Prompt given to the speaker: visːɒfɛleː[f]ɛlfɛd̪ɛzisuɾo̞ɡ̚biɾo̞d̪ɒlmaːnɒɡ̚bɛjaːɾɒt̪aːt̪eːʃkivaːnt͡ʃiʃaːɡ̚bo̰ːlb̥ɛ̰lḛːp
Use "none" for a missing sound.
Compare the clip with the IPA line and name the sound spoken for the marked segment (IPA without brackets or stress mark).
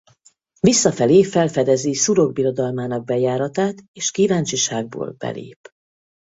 f